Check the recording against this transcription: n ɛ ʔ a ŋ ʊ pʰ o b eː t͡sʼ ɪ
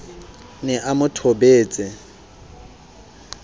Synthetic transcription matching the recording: n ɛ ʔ a m ʊ tʰ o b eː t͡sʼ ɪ